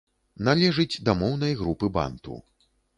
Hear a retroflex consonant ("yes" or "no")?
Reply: yes